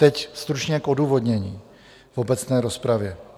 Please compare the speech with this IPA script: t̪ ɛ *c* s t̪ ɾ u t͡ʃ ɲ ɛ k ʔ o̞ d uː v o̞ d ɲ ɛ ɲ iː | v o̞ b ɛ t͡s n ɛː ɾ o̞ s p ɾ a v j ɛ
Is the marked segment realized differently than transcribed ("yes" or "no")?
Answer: no